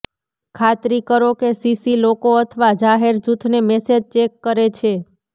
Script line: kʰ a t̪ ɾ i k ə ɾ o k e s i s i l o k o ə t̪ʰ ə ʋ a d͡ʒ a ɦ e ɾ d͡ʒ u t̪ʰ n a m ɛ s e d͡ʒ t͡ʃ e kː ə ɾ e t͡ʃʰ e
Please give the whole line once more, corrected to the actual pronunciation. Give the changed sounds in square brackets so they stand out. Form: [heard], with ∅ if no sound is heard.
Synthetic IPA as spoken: kʰ a t̪ ɾ i k ə ɾ o k e s i s i l o k o ə t̪ʰ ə ʋ a d͡ʒ a ɦ e ɾ d͡ʒ u t̪ʰ n [e] m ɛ s e d͡ʒ t͡ʃ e kː ə ɾ e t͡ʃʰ e